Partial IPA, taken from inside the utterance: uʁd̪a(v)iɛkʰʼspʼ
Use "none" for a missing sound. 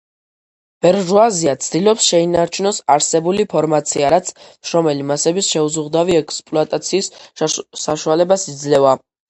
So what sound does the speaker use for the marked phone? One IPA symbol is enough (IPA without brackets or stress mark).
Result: v